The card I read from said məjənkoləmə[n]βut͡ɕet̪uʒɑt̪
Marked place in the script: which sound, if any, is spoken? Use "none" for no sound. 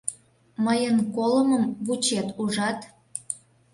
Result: m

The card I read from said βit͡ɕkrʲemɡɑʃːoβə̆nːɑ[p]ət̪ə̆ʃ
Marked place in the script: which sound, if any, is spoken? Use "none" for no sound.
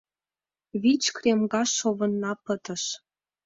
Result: p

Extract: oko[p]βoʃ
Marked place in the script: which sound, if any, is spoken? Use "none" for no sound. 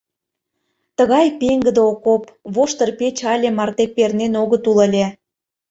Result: p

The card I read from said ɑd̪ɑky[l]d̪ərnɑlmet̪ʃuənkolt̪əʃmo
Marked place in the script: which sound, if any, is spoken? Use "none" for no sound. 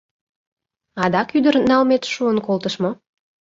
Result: none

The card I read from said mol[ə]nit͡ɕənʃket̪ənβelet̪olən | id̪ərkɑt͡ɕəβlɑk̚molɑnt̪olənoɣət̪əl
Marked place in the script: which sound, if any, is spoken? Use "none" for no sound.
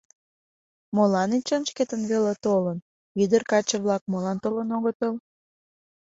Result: ɑ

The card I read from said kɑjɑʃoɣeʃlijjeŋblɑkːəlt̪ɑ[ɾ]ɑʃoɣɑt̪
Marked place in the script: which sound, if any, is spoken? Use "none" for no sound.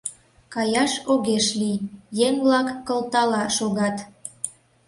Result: l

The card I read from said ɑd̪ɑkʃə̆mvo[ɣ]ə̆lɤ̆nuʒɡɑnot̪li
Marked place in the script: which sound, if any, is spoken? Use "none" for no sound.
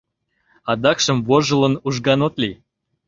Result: ʒ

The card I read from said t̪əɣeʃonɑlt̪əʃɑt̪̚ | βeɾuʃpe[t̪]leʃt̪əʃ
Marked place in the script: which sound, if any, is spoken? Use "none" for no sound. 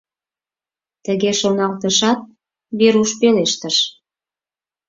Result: none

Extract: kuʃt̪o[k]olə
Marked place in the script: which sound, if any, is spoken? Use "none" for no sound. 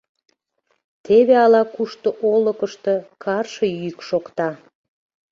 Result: ʔ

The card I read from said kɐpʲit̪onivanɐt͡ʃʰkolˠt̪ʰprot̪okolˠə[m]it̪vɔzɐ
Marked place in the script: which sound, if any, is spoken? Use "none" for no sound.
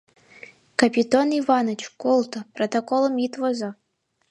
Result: m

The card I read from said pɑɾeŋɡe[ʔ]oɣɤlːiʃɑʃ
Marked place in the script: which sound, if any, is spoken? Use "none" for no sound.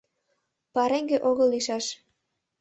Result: ʔ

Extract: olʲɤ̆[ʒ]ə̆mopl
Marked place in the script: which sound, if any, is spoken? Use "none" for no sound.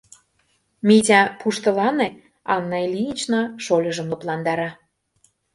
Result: ʒ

